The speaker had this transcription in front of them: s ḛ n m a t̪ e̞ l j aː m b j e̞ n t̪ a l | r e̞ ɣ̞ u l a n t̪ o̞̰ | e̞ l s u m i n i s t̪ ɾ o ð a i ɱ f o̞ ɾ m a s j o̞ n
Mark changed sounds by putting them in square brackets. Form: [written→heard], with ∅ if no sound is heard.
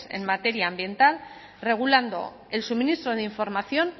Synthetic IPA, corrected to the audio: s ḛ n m a t̪ e̞ [l→ɾ] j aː m b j e̞ n t̪ a l | r e̞ ɣ̞ u l a n [t̪→d̪] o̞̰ | e̞ l s u m i n i s t̪ ɾ o ð [a→e] i ɱ f o̞ ɾ m a [s→θ] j o̞ n